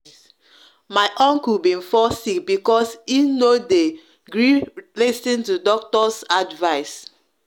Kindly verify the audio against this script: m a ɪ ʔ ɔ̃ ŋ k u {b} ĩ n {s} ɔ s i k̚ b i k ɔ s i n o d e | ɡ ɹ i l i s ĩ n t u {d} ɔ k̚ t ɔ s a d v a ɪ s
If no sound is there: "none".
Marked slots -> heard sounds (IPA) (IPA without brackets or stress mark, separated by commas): b, f, d